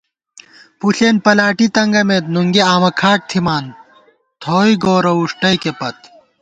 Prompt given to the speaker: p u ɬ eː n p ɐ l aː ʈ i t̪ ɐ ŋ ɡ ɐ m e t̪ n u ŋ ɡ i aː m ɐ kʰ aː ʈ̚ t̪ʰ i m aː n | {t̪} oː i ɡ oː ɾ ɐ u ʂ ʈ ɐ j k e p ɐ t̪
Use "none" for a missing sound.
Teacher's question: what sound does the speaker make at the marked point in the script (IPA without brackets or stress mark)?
t̪ʰ